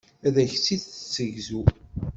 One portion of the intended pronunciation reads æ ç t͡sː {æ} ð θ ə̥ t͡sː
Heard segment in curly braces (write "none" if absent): i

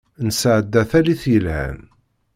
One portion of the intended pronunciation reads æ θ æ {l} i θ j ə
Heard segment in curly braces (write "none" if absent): l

